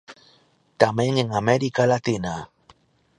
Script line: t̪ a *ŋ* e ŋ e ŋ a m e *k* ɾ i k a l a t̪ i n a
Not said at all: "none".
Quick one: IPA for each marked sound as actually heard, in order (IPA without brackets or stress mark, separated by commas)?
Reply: m, none